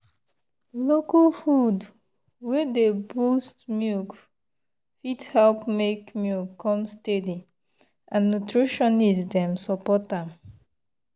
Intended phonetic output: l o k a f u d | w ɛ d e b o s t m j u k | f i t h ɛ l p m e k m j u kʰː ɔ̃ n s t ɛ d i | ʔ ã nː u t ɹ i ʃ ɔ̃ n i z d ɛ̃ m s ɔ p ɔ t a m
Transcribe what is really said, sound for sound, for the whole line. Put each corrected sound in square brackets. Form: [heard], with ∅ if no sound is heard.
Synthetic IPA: l o k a f u d | w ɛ d e b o s t m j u k | f i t h ɛ l p m e k m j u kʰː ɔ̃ [m] s t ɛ d i | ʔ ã nː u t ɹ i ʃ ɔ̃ n i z d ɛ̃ m s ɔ p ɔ t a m